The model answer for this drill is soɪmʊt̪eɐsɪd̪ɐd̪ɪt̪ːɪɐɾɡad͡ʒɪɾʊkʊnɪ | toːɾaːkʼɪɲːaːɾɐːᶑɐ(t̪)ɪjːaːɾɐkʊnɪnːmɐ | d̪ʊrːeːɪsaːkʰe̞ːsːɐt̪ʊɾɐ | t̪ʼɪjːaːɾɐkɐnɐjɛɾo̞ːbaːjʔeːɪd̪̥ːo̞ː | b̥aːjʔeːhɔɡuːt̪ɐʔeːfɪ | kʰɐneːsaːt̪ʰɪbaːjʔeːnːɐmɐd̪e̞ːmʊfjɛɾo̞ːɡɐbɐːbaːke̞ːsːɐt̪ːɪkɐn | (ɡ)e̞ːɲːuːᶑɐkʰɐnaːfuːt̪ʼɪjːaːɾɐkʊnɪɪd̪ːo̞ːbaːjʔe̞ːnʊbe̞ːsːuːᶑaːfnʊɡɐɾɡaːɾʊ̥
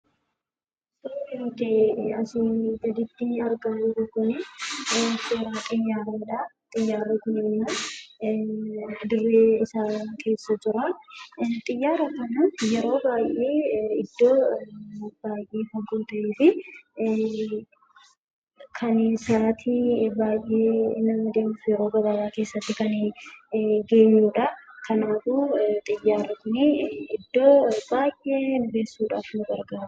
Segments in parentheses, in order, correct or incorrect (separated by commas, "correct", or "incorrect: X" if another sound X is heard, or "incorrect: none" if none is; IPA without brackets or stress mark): incorrect: t̪ʼ, correct